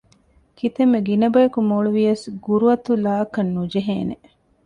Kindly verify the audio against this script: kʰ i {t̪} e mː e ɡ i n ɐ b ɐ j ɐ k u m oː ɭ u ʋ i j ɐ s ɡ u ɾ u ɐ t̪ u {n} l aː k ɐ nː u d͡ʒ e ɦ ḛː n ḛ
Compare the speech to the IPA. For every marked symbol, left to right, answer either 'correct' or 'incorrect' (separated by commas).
correct, incorrect